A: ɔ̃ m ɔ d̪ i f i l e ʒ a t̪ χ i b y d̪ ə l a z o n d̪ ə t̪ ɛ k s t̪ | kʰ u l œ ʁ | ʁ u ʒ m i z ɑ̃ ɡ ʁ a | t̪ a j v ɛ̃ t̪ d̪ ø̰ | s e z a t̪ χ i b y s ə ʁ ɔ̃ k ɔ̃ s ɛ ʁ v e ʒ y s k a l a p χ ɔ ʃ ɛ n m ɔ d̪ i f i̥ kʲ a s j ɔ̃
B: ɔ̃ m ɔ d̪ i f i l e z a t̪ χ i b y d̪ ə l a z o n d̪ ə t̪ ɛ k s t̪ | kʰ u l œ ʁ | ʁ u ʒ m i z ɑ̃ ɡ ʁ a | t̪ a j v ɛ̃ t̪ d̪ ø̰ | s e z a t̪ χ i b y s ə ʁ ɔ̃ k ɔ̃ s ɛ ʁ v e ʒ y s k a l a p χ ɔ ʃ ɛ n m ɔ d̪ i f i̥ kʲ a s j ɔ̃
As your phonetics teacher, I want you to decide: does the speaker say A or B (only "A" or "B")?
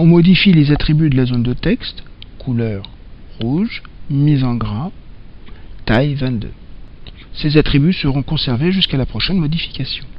B